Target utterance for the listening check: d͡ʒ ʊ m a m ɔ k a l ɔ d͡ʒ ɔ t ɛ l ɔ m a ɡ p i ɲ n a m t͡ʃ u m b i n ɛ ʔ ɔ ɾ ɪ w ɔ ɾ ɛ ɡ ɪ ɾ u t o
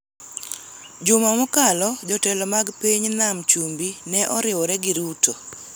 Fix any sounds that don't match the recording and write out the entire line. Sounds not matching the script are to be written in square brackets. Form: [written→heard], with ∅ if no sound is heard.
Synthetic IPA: d͡ʒ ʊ m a m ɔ k a l ɔ d͡ʒ ɔ t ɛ l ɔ m a ɡ p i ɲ n a m t͡ʃ u m b i n ɛ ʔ ɔ ɾ ɪ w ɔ ɾ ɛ ɡ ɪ ɾ u t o